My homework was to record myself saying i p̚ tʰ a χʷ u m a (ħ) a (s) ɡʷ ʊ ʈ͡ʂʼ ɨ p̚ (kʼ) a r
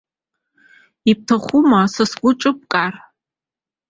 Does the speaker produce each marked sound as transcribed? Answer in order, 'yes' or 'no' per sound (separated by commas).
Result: no, yes, yes